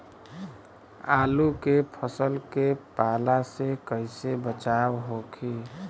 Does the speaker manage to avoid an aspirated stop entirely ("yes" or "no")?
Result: no